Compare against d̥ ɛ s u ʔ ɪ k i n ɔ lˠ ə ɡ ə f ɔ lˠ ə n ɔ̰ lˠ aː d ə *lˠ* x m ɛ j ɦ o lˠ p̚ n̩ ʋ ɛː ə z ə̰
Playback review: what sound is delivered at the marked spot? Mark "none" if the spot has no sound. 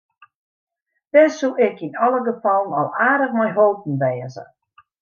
none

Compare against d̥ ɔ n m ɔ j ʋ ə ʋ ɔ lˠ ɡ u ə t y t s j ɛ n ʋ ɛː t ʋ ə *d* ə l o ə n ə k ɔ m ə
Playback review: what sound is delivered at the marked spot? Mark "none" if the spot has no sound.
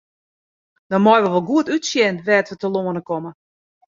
t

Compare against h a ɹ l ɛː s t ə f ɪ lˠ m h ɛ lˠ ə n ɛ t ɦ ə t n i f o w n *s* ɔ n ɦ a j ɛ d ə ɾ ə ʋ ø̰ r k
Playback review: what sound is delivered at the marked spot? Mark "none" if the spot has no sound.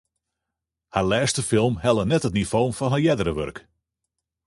f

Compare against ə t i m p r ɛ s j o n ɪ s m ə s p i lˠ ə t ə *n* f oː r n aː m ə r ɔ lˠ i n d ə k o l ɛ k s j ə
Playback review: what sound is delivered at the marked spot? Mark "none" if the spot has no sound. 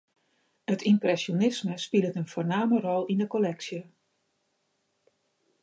n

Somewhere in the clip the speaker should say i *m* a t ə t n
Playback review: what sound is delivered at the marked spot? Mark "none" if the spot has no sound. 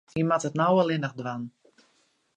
m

